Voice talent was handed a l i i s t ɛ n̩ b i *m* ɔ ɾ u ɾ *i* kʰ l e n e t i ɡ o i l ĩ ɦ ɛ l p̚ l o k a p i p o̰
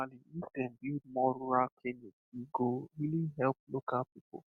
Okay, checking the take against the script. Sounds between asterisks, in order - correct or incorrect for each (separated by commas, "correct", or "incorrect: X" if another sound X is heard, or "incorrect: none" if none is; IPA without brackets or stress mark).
correct, incorrect: a